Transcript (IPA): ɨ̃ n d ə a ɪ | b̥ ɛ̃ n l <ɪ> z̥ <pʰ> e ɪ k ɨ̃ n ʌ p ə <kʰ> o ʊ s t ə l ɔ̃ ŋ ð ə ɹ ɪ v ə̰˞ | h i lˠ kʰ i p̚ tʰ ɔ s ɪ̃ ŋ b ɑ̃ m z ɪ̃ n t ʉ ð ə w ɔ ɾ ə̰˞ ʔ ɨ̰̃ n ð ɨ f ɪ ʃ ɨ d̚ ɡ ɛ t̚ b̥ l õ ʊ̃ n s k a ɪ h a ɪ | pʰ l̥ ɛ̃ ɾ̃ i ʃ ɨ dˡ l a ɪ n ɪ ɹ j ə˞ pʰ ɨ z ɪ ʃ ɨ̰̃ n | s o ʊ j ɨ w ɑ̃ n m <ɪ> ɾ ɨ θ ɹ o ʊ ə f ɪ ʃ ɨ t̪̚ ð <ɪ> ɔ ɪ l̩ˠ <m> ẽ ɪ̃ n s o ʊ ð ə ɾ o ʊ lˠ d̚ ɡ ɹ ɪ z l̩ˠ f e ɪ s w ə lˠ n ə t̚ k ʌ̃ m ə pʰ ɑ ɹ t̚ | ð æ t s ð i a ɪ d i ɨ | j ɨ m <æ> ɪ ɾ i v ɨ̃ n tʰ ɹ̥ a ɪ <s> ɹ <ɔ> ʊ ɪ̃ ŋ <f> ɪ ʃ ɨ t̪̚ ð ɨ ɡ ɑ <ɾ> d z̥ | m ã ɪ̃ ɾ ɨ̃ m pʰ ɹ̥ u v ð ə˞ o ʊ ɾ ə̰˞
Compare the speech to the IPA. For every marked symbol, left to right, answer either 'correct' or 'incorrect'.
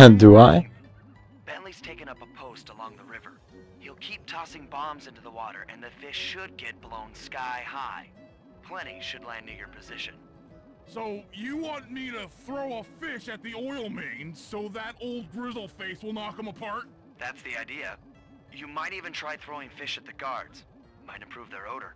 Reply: incorrect: i, incorrect: tʰ, incorrect: pʰ, incorrect: i, incorrect: i, correct, incorrect: a, incorrect: θ, incorrect: o, correct, incorrect: ɹ

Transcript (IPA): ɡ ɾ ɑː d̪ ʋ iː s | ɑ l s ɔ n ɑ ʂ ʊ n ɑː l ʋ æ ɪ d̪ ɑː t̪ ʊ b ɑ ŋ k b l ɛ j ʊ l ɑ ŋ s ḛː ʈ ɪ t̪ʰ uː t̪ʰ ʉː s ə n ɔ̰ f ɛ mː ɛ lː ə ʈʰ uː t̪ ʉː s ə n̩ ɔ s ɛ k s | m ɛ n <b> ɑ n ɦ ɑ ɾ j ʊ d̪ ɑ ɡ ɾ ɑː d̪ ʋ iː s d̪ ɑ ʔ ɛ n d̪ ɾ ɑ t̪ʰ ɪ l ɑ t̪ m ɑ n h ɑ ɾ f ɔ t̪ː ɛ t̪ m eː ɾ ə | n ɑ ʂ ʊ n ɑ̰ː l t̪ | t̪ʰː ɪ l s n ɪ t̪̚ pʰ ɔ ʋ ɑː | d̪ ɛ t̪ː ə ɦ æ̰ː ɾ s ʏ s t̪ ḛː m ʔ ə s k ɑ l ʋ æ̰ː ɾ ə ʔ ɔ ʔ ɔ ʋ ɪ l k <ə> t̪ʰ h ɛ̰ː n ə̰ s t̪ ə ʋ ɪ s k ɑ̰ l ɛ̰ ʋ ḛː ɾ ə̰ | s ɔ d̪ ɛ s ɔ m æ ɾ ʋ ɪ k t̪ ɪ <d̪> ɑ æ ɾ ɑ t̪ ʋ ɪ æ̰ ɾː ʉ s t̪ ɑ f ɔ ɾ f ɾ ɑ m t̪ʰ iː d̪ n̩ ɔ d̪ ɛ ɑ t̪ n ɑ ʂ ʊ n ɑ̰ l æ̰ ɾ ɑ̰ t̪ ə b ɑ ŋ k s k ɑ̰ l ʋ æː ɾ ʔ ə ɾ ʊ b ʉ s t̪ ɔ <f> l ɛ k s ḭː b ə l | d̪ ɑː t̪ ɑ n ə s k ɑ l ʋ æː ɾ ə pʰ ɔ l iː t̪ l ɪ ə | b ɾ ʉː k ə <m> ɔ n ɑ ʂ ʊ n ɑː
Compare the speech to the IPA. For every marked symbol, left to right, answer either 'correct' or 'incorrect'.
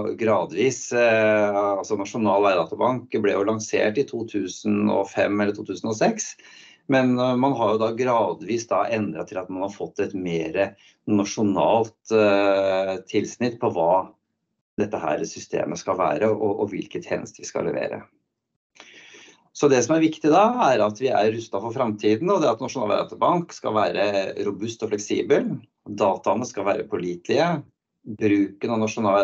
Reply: incorrect: m, correct, correct, correct, incorrect: n

